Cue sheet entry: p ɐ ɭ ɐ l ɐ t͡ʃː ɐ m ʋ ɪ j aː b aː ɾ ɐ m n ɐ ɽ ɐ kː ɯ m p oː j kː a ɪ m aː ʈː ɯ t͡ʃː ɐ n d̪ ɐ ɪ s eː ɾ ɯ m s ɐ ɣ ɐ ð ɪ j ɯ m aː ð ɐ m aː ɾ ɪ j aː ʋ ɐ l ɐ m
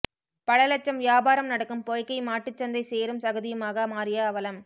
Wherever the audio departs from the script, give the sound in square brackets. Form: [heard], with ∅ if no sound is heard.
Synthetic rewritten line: p ɐ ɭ ɐ l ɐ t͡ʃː ɐ m ʋ ɪ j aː b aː ɾ ɐ m n ɐ ɽ ɐ kː ɯ m p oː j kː [ɐ] ɪ m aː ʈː ɯ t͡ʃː ɐ n d̪ ɐ ɪ s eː ɾ ɯ m s ɐ ɣ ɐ ð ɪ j ɯ m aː [ɣ] ɐ m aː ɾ ɪ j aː ʋ ɐ l ɐ m

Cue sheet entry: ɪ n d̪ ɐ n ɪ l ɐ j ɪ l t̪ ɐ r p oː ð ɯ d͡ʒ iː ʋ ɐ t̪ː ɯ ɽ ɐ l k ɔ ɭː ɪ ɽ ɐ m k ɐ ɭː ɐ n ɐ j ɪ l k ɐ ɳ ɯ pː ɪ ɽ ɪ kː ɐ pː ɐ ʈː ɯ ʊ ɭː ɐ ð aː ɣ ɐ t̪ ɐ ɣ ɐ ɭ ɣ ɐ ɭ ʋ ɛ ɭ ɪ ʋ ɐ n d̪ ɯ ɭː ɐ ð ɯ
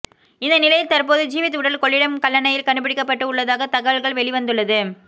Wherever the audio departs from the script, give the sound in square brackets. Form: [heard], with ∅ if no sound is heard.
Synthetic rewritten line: ɪ n d̪ ɐ n ɪ l ɐ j ɪ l t̪ ɐ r p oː ð ɯ d͡ʒ iː ʋ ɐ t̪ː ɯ ɽ ɐ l k ɔ ɭː ɪ ɽ ɐ m k ɐ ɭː ɐ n ɐ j ɪ l k ɐ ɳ ɯ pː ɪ ɽ ɪ kː ɐ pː ɐ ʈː ɯ ʊ ɭː ɐ ð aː ɣ ɐ t̪ ɐ ɣ ɐ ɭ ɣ ɐ ɭ ʋ ɛ ɭ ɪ ʋ ɐ n d̪ ɯ ɭː ɐ ð ɯ

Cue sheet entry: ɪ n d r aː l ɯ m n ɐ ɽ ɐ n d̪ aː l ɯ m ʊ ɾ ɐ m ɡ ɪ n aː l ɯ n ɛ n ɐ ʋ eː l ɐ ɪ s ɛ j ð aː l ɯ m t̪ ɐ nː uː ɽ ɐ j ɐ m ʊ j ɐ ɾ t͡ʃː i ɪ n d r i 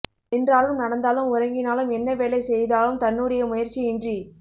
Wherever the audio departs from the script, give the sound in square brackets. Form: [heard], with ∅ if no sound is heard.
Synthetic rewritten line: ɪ n d r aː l ɯ m n ɐ ɽ ɐ n d̪ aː l ɯ m ʊ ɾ ɐ [ŋ] ɡ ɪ n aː l ɯ [m] ɛ [nː] ɐ ʋ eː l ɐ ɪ s ɛ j ð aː l ɯ m t̪ ɐ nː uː ɽ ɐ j ɐ m ʊ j ɐ ɾ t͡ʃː i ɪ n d r i

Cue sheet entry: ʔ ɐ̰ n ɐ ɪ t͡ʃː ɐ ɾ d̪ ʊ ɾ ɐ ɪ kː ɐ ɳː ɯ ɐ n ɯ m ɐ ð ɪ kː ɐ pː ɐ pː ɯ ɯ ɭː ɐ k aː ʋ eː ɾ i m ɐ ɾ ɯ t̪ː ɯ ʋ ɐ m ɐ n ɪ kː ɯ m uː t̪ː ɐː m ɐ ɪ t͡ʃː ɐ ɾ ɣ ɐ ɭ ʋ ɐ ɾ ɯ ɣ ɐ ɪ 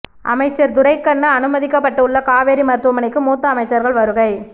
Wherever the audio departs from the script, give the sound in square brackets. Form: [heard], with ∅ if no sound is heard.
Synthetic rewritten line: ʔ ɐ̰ [m] ɐ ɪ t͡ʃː ɐ ɾ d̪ ʊ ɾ ɐ ɪ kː ɐ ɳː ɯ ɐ n ɯ m ɐ ð ɪ kː ɐ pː ɐ [ʈː] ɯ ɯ ɭː ɐ k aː ʋ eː ɾ i m ɐ ɾ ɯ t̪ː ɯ ʋ ɐ m ɐ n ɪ kː ɯ m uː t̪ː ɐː m ɐ ɪ t͡ʃː ɐ ɾ ɣ ɐ ɭ ʋ ɐ ɾ ɯ ɣ ɐ ɪ

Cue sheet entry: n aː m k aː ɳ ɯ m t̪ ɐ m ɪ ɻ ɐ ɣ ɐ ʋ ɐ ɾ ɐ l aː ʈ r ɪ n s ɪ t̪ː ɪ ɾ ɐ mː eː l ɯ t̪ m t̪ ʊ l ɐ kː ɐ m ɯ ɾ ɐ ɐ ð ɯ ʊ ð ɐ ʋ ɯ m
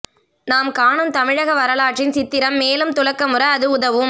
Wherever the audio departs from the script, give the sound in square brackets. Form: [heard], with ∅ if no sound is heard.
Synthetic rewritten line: n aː m k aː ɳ ɯ m t̪ ɐ m ɪ ɻ ɐ ɣ ɐ ʋ ɐ ɾ ɐ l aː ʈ r ɪ n s ɪ t̪ː ɪ ɾ ɐ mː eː l ɯ [∅] m t̪ ʊ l ɐ kː ɐ m ɯ ɾ ɐ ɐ ð ɯ ʊ ð ɐ ʋ ɯ m

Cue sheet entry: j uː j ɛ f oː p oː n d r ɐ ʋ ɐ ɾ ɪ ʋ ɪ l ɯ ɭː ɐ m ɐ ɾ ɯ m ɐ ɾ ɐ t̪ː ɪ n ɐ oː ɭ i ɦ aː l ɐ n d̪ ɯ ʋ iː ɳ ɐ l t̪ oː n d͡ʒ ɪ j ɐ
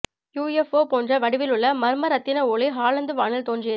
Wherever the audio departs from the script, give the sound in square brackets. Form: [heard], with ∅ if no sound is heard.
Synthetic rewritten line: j uː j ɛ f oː p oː n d r ɐ ʋ ɐ [ɽ] ɪ ʋ ɪ l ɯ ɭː ɐ m ɐ ɾ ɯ m ɐ ɾ ɐ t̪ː ɪ n ɐ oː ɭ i ɦ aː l ɐ n d̪ ɯ ʋ [aː] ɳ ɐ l t̪ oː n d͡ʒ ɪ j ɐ

